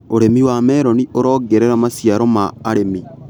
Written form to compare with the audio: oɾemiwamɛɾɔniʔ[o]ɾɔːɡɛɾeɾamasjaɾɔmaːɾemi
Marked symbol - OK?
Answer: yes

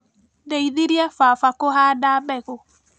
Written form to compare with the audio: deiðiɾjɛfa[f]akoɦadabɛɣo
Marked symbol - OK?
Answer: yes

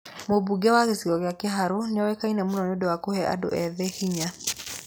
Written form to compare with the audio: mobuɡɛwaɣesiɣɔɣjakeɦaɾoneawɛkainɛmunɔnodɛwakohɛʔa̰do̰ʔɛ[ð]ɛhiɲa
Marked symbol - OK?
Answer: yes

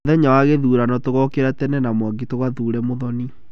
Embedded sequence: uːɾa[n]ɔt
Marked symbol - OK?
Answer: yes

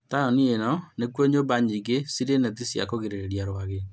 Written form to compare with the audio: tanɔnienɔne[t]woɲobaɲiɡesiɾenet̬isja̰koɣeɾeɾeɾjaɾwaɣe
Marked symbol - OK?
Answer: no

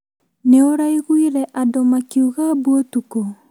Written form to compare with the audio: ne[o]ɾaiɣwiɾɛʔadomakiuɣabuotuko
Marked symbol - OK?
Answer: yes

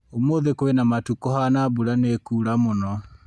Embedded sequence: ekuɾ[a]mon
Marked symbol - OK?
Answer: yes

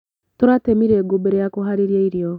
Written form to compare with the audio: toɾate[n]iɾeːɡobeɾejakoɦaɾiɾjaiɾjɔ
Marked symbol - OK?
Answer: no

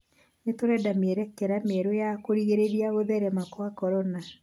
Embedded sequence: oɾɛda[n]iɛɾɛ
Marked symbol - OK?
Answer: no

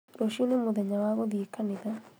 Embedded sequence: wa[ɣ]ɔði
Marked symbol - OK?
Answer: yes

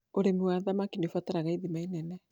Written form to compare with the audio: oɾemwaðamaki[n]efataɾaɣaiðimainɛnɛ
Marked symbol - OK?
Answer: yes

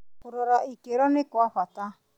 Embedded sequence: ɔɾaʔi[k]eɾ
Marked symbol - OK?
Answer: yes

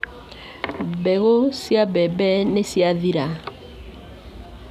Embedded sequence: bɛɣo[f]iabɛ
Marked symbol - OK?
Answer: no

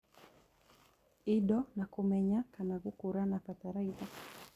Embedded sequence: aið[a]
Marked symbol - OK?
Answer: yes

